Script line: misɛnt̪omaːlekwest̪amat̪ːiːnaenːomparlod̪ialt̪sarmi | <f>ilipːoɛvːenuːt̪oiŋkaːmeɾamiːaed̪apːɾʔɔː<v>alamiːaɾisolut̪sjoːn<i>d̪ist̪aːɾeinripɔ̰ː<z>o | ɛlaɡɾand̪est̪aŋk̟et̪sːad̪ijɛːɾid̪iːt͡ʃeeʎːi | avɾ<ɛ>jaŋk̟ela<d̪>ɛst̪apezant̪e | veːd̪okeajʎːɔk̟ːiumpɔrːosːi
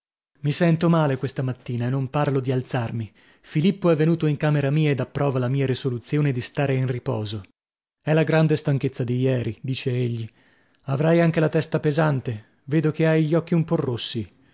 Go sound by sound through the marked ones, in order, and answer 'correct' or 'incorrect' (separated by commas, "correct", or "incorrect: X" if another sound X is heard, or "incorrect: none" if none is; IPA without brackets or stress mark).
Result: correct, correct, incorrect: e, correct, incorrect: a, incorrect: t̪